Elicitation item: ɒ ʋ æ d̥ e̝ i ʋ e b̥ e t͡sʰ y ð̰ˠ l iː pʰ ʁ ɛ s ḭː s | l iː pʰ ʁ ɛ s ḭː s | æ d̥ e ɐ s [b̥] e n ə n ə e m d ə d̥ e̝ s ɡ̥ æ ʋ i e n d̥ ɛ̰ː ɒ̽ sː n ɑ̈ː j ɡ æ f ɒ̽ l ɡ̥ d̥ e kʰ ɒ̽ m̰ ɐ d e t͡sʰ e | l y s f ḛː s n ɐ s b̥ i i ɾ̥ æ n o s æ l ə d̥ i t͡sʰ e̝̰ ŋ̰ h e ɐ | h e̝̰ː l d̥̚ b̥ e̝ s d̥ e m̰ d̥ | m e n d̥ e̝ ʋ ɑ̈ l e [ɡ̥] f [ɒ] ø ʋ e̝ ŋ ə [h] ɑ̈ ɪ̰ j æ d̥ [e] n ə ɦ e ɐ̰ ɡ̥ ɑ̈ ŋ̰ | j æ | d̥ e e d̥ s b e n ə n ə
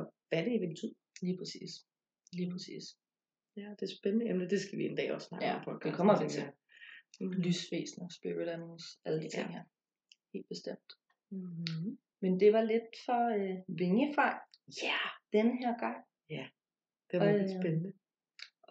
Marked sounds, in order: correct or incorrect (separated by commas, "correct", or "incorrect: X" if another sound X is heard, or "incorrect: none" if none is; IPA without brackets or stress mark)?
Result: correct, incorrect: d̥, correct, incorrect: f, correct